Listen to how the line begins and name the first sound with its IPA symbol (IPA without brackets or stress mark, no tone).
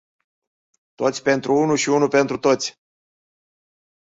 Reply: t̪